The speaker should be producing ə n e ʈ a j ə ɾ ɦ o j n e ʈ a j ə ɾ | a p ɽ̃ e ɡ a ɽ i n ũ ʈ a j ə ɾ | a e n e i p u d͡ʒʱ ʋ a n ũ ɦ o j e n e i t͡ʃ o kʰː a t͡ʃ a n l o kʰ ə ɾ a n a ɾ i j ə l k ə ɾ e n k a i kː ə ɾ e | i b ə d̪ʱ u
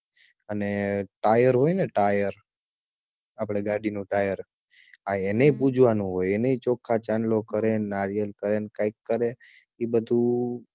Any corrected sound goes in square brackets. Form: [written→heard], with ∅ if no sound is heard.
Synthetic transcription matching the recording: ə n e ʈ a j ə ɾ ɦ o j n e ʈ a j ə ɾ | a p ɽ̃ e ɡ a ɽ i n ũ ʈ a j ə ɾ | a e n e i p u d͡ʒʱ ʋ a n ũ ɦ o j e n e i t͡ʃ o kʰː a t͡ʃ a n l o [kʰ→k] ə ɾ [a→e] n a ɾ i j ə l k ə ɾ e n k a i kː ə ɾ e | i b ə d̪ʱ u